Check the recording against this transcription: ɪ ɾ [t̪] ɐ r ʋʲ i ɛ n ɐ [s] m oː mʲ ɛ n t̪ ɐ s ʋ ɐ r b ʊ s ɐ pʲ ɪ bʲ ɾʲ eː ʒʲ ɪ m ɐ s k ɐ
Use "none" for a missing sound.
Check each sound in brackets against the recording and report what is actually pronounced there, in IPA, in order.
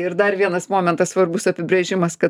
d̪, s

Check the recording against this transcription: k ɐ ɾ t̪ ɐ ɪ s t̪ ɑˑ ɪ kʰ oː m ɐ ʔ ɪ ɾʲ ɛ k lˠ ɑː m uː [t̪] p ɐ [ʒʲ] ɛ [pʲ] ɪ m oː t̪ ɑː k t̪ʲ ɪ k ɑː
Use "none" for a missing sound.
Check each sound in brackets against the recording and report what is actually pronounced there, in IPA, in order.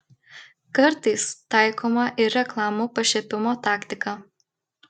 none, ʃʲ, pʲ

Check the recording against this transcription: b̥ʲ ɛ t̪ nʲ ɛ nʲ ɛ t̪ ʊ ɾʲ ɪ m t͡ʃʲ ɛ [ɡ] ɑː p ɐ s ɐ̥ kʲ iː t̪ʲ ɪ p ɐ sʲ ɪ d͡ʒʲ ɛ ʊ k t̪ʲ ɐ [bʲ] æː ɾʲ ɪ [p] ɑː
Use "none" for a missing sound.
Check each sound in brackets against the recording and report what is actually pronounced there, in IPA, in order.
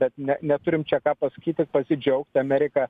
k, mʲ, k

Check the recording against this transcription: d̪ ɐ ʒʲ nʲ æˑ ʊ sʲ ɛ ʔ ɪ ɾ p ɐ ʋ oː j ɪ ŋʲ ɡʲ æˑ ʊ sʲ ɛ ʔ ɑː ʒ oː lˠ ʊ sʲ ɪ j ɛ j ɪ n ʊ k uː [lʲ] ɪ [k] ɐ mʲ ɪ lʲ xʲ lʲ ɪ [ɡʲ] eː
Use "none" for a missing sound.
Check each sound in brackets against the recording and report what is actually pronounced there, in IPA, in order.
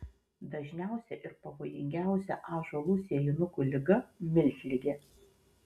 lʲ, ɡ, ɡʲ

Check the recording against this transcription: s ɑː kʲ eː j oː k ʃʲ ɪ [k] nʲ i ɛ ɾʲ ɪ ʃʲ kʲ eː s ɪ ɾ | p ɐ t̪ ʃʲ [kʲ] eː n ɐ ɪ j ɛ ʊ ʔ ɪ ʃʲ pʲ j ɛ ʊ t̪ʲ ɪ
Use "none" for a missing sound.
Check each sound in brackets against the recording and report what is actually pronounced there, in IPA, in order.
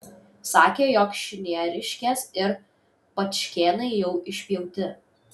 none, kʲ

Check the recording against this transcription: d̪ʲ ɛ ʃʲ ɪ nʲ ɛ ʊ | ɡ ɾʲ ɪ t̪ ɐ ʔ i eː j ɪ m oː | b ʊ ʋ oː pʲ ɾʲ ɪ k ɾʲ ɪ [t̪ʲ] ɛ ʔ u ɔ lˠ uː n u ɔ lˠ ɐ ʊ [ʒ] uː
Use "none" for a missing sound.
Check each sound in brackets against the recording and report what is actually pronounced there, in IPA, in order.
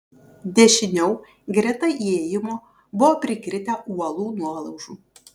t̪ʲ, ʒ

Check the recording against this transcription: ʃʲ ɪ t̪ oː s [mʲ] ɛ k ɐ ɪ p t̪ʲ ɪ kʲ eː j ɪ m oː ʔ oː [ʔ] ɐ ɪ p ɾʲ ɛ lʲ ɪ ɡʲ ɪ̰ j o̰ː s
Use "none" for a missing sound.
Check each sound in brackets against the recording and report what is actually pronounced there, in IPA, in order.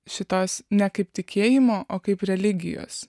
nʲ, k

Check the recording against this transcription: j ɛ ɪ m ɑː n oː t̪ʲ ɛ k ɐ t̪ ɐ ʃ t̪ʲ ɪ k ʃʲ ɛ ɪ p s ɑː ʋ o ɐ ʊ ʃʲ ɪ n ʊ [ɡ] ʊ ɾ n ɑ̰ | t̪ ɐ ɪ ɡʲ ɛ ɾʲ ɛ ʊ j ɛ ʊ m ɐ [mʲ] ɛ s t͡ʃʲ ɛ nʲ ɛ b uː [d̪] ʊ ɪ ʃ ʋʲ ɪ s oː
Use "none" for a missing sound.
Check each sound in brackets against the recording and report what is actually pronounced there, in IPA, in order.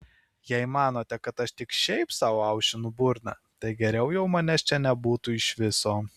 b, nʲ, t̪

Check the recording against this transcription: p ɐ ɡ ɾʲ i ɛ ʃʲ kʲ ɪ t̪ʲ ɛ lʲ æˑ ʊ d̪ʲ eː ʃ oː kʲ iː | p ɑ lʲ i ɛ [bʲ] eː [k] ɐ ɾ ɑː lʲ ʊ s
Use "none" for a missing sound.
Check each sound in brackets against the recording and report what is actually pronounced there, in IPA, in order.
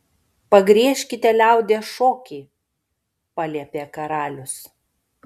pʲ, k

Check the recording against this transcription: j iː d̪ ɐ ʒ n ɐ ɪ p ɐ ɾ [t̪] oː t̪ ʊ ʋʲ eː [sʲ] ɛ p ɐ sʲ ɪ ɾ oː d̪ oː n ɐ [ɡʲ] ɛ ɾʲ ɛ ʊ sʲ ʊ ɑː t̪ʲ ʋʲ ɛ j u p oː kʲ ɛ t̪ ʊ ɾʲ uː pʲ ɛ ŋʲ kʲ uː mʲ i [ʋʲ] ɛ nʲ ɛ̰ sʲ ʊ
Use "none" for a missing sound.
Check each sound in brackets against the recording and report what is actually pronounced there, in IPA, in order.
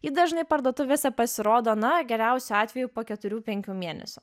d̪, sʲ, ɡʲ, none

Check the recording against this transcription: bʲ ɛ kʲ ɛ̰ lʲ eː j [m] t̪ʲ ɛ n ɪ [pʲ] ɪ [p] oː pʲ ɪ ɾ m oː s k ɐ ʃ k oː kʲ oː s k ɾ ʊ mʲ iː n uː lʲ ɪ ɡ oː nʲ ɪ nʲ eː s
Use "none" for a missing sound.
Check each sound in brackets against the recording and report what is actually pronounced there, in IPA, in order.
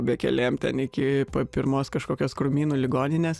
m, kʲ, p

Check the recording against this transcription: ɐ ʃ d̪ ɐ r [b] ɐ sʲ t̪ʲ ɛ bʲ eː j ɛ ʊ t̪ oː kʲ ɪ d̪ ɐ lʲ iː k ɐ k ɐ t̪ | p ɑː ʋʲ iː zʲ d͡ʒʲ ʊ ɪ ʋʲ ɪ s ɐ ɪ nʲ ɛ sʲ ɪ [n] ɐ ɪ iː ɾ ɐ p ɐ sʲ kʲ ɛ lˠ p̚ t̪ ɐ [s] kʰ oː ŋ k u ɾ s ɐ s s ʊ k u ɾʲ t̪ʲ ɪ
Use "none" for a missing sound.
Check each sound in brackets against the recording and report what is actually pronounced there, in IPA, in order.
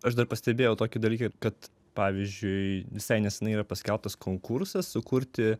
p, n, s

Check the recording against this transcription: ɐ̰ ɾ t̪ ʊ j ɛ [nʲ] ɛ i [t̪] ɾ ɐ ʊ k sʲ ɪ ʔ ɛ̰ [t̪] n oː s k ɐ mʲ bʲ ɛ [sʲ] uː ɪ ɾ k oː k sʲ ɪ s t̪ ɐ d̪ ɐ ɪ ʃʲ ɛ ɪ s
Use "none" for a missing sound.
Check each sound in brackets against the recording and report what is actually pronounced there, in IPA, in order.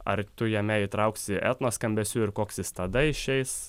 mʲ, t̪, t̪, sʲ

